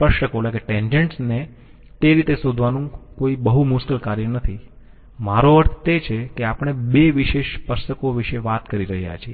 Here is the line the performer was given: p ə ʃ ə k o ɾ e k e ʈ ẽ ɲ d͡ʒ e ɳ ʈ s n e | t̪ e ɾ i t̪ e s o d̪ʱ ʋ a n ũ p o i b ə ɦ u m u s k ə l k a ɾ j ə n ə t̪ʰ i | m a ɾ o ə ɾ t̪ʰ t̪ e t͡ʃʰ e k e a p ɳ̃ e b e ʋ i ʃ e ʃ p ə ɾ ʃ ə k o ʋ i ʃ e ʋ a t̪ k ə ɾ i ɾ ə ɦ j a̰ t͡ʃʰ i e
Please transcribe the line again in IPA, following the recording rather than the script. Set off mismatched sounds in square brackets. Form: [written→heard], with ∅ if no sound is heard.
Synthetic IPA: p ə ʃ ə k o [ɾ→l] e k e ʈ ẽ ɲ d͡ʒ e ɳ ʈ s n e | t̪ e ɾ i t̪ e s o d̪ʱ ʋ a n ũ [p→k] o i b ə ɦ u m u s k ə l k a ɾ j ə n ə t̪ʰ i | m a ɾ o ə ɾ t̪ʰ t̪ e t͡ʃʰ e k e a p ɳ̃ e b e ʋ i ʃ e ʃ p ə ɾ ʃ ə k o ʋ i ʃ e ʋ a t̪ k ə ɾ i ɾ ə ɦ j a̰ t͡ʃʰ i e